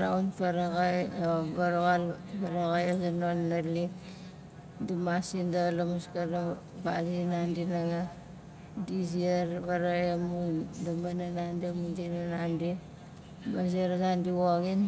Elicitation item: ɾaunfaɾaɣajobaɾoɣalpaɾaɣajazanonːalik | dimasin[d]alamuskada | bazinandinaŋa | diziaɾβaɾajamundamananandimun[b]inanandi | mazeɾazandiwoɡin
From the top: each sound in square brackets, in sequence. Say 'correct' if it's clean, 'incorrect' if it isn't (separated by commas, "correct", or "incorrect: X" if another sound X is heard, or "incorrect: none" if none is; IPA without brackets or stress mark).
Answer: correct, incorrect: d